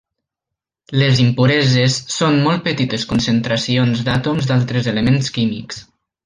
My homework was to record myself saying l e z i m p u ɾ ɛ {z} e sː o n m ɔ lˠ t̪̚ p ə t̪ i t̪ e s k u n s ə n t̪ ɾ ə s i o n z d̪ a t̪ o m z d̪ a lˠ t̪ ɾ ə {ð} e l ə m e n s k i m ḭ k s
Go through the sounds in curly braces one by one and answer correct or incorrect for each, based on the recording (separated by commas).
correct, incorrect